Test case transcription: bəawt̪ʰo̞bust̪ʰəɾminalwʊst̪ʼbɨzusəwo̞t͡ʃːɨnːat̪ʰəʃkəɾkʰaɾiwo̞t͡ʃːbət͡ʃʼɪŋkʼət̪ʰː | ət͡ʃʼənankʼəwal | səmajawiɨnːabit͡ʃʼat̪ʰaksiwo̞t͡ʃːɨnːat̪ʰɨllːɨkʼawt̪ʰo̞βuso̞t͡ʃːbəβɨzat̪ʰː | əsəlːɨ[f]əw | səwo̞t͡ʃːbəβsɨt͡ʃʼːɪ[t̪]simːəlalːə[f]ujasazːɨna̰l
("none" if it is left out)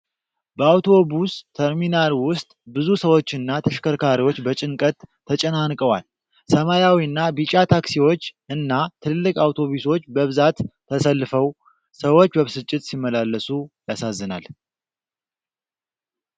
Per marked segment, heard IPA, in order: f, t̪, s

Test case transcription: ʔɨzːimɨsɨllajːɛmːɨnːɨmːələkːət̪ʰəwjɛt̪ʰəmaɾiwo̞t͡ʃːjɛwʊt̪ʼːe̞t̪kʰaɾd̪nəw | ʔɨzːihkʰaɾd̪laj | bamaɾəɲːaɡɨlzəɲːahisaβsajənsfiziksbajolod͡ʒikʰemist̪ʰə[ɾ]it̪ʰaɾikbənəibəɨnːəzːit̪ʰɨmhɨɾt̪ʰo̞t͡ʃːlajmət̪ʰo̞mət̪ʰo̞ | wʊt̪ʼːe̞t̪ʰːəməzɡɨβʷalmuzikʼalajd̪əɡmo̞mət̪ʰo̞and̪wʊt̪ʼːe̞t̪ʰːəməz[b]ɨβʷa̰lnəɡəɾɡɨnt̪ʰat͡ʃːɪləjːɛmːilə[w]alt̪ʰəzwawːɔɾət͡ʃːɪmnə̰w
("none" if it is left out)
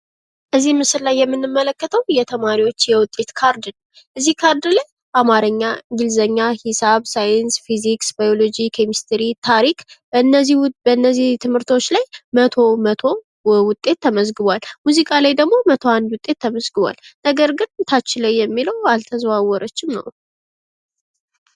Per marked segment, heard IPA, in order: ɾ, ɡ, w

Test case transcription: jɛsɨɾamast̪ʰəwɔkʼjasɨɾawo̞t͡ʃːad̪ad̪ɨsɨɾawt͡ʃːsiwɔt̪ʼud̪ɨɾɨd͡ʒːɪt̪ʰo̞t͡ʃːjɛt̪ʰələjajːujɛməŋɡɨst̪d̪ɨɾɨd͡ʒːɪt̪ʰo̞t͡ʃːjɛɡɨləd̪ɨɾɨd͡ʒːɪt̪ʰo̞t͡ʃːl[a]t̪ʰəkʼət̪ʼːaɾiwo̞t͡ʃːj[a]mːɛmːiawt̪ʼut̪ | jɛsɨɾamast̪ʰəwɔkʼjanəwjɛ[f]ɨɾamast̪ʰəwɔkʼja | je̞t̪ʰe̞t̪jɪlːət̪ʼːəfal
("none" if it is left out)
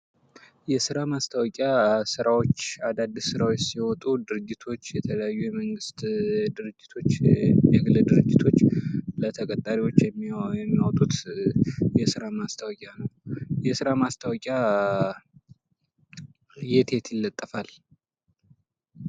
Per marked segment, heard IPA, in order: ə, ɛ, s

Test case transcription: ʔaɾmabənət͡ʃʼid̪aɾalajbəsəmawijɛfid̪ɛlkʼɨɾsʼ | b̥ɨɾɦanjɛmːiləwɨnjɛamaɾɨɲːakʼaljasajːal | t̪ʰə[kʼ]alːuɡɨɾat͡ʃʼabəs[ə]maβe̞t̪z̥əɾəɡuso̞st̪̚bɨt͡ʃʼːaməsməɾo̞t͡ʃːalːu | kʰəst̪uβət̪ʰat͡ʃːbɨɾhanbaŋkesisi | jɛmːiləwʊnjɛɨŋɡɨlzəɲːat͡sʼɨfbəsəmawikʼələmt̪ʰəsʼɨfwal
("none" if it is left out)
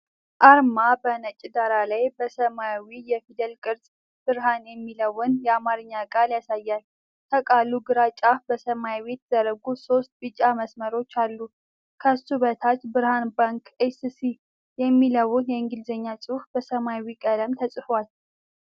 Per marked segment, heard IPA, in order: kʼ, ə

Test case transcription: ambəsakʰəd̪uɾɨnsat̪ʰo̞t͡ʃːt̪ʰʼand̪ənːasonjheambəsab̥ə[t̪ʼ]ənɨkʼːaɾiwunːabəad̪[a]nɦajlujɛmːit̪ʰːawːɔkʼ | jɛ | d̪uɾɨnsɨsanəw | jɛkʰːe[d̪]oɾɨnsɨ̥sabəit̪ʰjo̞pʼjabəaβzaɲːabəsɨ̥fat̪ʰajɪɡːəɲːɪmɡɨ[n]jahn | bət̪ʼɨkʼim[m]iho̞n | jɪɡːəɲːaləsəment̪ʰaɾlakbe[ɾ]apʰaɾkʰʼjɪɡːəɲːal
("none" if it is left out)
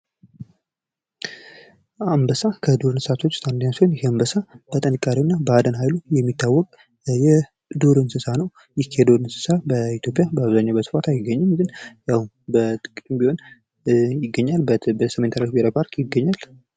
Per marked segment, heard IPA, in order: t̪ʼ, ə, d̪, n, b, ɾ

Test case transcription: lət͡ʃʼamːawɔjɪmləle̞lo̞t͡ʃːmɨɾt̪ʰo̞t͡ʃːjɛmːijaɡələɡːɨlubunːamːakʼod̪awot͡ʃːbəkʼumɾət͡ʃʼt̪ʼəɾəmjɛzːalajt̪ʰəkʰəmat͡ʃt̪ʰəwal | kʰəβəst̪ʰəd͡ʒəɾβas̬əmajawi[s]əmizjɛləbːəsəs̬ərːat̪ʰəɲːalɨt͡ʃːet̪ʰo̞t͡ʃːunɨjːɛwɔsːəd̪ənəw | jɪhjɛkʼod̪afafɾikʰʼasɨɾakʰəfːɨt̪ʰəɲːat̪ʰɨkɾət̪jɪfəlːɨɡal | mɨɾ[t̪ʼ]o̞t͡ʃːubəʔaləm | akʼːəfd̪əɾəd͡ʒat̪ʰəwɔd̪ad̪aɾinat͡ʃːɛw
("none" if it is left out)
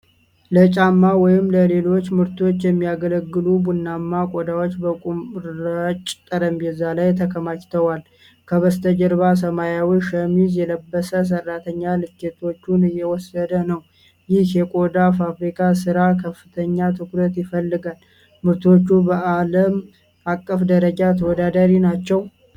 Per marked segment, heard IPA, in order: ʃ, t̪

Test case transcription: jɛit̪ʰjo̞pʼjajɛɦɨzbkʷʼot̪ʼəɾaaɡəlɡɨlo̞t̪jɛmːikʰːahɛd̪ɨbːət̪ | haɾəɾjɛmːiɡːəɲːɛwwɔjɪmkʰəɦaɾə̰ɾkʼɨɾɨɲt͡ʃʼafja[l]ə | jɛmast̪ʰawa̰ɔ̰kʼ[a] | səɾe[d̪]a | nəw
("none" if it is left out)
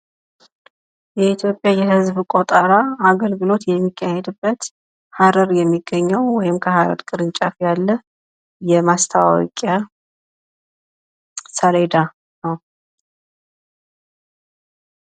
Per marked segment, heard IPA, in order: lː, a, d̪

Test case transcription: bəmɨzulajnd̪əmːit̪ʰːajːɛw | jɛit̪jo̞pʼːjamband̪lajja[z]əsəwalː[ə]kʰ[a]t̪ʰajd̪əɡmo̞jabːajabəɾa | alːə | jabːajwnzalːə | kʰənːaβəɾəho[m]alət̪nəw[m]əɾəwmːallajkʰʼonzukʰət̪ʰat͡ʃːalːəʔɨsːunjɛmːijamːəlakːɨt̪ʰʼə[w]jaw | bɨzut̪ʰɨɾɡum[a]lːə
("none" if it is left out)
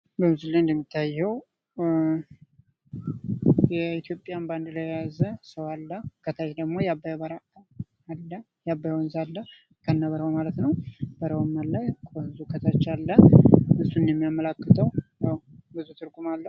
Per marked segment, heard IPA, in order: z, ə, ə, m, b, w, a

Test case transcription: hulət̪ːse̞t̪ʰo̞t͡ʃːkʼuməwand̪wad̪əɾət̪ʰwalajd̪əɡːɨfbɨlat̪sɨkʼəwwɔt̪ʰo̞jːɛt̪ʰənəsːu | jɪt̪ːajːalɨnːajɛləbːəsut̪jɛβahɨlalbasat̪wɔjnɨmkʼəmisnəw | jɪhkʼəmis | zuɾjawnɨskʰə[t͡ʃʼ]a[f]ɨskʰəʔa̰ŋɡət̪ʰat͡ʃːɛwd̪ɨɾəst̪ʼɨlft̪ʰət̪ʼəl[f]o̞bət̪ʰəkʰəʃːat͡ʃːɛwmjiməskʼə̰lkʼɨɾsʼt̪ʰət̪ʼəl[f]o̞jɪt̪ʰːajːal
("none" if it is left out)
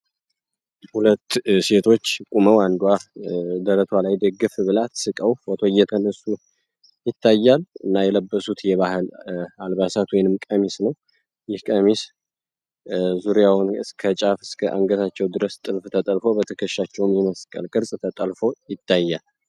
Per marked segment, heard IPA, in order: t͡ʃʼ, f, f, f

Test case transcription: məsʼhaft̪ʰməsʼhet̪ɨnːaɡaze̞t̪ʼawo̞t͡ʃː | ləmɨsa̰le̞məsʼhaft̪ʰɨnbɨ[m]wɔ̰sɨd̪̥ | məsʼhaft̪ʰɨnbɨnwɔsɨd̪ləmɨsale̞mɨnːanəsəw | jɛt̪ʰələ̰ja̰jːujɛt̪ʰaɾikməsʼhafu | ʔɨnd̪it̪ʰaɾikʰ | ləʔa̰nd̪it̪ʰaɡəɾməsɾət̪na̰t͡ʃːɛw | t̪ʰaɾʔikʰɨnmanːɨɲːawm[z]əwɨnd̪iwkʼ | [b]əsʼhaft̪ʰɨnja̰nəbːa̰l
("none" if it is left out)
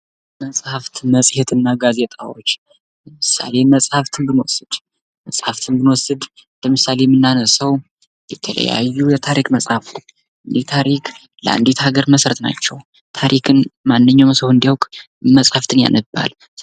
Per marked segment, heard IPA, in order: n, s, m

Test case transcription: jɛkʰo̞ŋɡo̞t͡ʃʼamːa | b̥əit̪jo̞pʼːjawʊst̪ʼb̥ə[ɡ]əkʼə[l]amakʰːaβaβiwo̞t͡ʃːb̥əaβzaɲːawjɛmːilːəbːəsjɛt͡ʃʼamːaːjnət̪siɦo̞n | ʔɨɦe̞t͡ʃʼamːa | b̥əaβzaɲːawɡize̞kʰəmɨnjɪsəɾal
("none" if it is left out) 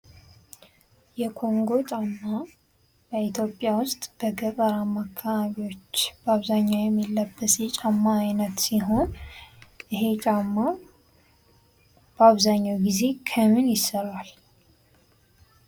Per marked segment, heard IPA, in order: ɡ, ɾ

